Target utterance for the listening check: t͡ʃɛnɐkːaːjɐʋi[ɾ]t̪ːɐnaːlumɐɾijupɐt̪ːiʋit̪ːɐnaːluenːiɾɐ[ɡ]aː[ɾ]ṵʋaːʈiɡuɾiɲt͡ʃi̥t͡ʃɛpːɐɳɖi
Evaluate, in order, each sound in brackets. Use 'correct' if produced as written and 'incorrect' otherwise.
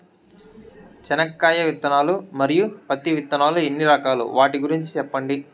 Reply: incorrect: none, incorrect: k, incorrect: l

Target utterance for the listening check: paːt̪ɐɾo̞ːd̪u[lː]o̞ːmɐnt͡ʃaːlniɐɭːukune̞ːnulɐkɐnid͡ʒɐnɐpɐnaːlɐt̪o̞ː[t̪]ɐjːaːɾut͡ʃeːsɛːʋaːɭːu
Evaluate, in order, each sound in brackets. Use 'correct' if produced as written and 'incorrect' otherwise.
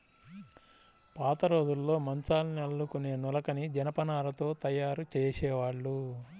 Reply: correct, correct

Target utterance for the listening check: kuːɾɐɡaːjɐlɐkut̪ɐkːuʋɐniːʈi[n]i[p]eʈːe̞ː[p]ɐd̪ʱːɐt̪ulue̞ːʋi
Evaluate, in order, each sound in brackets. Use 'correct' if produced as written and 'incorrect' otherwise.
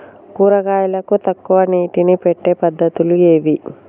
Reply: correct, correct, correct

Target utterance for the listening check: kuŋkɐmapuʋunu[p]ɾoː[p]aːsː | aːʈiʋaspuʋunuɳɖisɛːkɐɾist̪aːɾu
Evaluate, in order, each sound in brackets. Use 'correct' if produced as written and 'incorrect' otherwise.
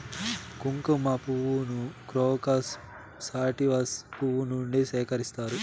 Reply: incorrect: k, incorrect: k

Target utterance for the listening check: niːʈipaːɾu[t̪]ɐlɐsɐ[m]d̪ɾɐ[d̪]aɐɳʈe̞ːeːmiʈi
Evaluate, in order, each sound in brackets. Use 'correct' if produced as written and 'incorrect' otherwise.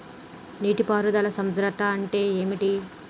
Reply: incorrect: d̪, correct, incorrect: t̪

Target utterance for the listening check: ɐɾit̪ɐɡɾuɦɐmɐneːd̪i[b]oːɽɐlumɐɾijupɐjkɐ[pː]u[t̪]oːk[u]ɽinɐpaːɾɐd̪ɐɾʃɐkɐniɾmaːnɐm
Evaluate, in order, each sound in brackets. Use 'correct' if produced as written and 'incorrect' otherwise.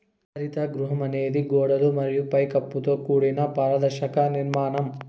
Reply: incorrect: ɡ, correct, correct, incorrect: uː

